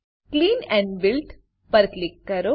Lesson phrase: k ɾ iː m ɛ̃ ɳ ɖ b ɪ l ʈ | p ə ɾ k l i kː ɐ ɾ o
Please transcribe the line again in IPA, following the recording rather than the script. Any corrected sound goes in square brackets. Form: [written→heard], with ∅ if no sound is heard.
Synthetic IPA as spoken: k [ɾ→l] iː [m→n] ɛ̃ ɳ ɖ b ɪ l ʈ | p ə ɾ k l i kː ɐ ɾ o

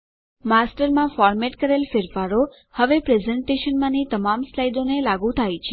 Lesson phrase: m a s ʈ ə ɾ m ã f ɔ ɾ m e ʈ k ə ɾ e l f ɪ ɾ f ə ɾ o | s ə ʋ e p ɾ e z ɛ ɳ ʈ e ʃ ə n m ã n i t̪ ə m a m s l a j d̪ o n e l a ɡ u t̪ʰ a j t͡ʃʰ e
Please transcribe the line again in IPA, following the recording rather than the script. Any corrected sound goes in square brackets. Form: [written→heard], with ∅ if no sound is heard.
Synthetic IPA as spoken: m a s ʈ ə ɾ m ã f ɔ ɾ m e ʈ k ə ɾ e l f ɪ ɾ f [ə→a] ɾ o | [s→h] ə ʋ e p ɾ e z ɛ ɳ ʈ e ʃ ə n m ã n i t̪ ə m a m s l a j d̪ o n e l a ɡ u t̪ʰ a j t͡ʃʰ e

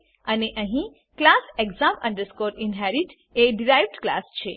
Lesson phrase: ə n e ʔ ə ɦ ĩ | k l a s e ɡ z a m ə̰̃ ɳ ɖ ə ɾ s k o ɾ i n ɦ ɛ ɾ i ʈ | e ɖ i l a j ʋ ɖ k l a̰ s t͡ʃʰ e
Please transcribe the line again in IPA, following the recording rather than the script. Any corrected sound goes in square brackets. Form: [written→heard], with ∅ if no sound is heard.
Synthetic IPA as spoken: ə n e ʔ ə ɦ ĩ | k l a s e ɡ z a m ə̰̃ ɳ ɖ ə ɾ s k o ɾ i n ɦ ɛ ɾ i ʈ | e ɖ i [l→ɾ] a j ʋ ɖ k l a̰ s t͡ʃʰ e

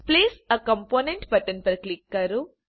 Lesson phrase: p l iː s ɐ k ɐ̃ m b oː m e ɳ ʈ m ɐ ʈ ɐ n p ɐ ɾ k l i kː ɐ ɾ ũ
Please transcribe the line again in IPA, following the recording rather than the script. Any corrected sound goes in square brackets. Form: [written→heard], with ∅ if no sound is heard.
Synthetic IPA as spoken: p l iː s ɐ k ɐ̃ m [b→p] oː [m→n] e ɳ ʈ [m→b] ɐ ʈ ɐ n p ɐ ɾ k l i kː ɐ ɾ [ũ→u]

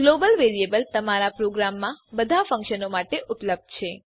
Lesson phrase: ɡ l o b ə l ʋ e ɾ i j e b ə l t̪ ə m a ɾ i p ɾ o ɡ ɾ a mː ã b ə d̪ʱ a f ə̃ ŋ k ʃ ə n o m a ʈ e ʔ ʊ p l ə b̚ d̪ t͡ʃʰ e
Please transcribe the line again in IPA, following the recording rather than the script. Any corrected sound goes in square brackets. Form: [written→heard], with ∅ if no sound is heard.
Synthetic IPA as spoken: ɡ l o b ə l ʋ e ɾ i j e b ə l t̪ ə m a ɾ [i→a] p ɾ o ɡ ɾ a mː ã b ə d̪ʱ a f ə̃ ŋ k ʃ ə n o m a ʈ e ʔ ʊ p l ə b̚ d̪ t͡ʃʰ e

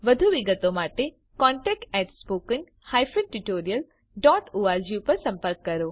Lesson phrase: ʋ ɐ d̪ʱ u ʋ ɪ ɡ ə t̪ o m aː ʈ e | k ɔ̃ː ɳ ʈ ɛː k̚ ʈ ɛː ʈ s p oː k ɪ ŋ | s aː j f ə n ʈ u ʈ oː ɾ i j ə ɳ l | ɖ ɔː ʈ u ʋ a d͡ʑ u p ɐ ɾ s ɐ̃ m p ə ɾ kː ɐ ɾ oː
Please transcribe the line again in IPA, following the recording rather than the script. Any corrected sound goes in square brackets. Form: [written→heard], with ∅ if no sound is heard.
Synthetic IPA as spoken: ʋ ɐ d̪ʱ u ʋ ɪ ɡ ə t̪ o m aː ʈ e | k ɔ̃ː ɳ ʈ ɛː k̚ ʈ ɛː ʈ s p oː k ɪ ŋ | [s→h] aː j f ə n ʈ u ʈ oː ɾ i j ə [ɳ→∅] l | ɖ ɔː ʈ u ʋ a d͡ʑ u p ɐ ɾ s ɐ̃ m p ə ɾ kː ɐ ɾ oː

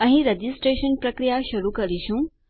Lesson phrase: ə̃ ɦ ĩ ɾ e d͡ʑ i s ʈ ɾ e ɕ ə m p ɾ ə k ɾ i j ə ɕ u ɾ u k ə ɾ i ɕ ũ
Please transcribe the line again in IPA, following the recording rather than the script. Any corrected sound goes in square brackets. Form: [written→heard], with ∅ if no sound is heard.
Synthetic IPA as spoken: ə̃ ɦ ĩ ɾ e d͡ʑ i s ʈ ɾ e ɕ ə [m→n] p ɾ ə k ɾ i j [ə→a] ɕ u ɾ u k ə ɾ i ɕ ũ

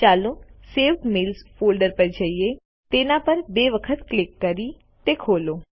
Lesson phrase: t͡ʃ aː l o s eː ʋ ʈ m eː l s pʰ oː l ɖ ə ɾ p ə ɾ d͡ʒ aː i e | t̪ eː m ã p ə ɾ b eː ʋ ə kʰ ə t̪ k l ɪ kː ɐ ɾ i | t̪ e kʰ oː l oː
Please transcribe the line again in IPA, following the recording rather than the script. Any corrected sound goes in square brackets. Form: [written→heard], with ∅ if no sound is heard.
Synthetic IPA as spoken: t͡ʃ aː l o s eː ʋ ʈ m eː l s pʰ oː l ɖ ə ɾ p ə ɾ d͡ʒ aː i e | t̪ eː [m→n] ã p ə ɾ b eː ʋ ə kʰ ə t̪ k l ɪ kː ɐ ɾ i | t̪ e kʰ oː l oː

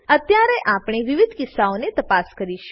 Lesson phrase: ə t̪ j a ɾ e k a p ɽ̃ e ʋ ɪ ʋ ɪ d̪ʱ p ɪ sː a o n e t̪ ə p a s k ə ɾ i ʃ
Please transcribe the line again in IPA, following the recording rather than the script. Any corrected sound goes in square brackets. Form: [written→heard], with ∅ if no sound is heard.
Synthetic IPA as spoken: ə t̪ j a ɾ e [k→ʔ] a p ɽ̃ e ʋ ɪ ʋ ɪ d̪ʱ [p→k] ɪ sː a o n e t̪ ə p a s k ə ɾ i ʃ

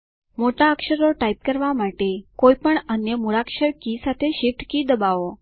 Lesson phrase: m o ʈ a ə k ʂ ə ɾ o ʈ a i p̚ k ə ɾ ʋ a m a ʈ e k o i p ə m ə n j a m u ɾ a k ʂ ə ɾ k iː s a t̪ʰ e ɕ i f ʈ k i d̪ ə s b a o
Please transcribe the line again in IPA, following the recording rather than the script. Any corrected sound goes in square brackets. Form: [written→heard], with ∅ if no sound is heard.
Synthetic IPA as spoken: m o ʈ a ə k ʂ ə ɾ o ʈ a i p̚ k ə ɾ ʋ a m a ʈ e k o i p ə [m→ɳ] ə n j [a→ə] m u ɾ a k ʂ ə ɾ k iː s a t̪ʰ e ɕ i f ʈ k i d̪ ə [s→∅] b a o

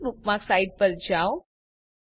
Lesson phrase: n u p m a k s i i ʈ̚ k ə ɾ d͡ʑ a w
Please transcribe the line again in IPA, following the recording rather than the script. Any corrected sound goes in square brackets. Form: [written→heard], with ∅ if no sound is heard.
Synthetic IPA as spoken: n u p m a k s [i→a] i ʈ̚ [k→p] ə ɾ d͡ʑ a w

